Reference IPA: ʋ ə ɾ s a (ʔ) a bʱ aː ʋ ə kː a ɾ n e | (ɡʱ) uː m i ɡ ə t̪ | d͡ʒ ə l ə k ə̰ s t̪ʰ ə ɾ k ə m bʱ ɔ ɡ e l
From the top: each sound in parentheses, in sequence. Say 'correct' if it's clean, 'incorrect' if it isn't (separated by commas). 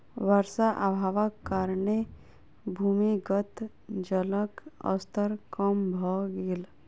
correct, incorrect